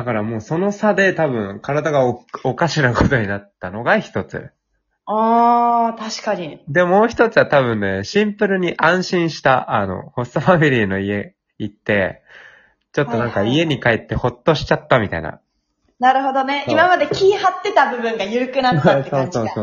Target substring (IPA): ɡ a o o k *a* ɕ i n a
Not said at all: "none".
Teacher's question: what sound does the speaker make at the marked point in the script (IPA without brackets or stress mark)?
a